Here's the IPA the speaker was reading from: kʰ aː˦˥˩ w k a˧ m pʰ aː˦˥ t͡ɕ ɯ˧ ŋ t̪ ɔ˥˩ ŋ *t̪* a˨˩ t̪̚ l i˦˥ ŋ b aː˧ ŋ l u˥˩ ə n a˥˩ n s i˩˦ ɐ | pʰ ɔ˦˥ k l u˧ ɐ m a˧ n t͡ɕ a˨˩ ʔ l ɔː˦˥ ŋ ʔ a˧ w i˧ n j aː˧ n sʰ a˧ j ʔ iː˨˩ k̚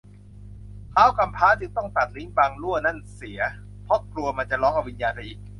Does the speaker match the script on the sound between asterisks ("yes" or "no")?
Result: yes